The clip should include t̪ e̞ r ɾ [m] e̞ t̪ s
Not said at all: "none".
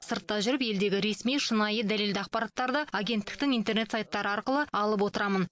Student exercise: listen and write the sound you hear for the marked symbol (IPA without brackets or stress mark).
n